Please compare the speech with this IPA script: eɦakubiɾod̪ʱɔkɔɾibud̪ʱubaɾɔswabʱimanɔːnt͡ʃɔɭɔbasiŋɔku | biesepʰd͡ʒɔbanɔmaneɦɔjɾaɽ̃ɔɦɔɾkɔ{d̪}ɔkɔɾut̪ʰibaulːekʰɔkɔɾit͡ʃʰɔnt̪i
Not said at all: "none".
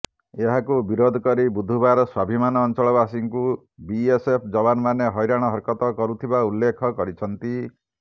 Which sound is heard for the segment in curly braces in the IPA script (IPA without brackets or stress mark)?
t̪